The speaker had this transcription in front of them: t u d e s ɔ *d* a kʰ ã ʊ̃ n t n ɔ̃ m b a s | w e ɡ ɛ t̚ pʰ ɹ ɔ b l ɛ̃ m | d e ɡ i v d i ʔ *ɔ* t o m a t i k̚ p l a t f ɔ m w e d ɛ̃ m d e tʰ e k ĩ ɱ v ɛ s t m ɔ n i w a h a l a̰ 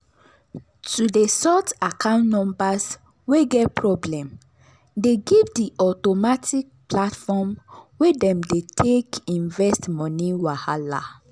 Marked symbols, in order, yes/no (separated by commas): no, yes